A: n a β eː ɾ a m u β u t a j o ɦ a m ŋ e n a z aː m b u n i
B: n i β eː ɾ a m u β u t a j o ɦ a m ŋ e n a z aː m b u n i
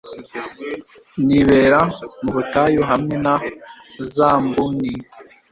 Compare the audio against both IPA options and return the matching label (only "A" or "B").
B